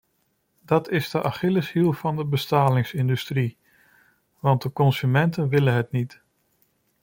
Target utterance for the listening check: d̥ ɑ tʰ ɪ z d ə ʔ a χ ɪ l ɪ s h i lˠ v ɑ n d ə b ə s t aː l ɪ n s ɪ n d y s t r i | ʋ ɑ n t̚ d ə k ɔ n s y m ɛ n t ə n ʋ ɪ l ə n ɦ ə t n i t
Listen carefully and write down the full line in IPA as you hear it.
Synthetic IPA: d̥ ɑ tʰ ɪ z d ə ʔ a χ ɪ l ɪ s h i lˠ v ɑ n d ə b ə s t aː l ɪ ŋ s ɪ n d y s t r i | ʋ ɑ n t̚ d ə k ɔ n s y m ɛ n t ə n ʋ ɪ l ə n ɦ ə t n i t